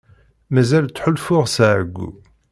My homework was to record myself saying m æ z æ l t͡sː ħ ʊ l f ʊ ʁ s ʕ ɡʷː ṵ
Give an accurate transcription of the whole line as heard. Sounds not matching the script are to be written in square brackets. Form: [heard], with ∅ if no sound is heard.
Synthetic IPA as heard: m æ z æ l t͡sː ħ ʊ l f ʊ ʁ s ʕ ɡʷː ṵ